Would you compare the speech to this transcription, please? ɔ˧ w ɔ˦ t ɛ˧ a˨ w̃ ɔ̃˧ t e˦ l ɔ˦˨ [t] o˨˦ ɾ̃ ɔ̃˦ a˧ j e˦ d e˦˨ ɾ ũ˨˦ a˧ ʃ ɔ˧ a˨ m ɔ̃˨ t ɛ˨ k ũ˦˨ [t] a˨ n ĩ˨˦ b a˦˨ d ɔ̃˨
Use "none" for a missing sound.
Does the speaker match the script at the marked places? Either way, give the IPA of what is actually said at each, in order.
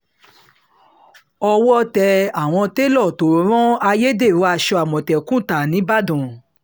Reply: t, t

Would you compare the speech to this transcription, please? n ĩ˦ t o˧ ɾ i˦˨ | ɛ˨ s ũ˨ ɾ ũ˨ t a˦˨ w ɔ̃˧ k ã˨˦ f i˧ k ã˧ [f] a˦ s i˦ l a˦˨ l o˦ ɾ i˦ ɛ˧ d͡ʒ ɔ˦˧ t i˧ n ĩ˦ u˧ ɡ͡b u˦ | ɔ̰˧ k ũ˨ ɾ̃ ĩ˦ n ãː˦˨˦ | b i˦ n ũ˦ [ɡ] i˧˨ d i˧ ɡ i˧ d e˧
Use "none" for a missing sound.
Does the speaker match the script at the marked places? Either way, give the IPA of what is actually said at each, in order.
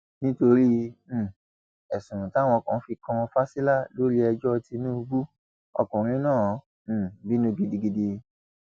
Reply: f, ɡ

